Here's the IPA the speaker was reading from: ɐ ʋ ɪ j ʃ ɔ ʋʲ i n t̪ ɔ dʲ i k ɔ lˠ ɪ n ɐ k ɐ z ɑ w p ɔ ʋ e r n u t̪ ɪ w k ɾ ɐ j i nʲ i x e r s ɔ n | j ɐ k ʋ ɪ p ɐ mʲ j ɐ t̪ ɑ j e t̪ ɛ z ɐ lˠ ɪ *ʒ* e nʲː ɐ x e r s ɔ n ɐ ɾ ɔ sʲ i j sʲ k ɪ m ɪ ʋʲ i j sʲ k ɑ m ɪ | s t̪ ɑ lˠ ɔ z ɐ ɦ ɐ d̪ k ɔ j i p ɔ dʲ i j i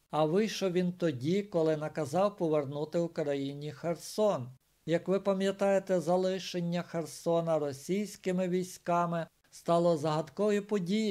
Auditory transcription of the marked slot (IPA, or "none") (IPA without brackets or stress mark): ʃ